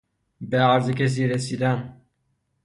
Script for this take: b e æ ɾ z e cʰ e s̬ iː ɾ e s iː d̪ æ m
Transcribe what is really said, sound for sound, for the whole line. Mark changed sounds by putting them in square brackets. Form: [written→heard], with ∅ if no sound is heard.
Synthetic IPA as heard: b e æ ɾ z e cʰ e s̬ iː ɾ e s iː d̪ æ [m→n]